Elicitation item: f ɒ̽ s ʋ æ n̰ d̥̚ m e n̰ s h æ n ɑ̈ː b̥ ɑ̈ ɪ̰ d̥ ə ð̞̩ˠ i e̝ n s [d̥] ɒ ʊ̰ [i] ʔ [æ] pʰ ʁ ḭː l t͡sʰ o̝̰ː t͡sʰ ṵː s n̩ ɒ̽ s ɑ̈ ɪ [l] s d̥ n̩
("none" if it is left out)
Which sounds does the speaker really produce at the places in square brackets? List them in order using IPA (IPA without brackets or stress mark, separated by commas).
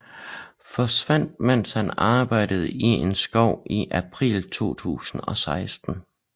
ɡ̥, i, æ, none